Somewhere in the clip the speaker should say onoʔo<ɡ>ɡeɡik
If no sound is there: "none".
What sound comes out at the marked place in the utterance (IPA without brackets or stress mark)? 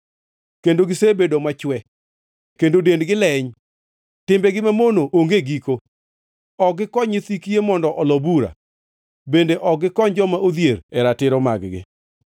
ŋ